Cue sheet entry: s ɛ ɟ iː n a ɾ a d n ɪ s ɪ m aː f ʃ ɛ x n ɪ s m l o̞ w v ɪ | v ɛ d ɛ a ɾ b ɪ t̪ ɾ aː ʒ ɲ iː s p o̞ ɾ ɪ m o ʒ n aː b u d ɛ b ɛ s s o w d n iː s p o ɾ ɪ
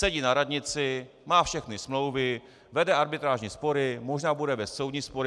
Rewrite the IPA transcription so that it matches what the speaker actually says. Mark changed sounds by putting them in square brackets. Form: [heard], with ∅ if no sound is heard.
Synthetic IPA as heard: s ɛ ɟ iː n a ɾ a d [ɲ] ɪ [t͡s] ɪ m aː f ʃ ɛ x n ɪ s m l o̞ w v ɪ | v ɛ d ɛ a ɾ b ɪ t̪ ɾ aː ʒ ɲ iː s p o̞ ɾ ɪ m o ʒ n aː b u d ɛ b ɛ s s o w d [ɲ] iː s p o ɾ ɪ

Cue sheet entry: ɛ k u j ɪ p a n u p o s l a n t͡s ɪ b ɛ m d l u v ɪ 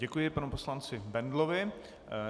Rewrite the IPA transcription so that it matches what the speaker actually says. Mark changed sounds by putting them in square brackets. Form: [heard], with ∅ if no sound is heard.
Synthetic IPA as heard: ɛ k u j ɪ p a n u p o s l a n t͡s ɪ b ɛ [n] d l [o] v ɪ

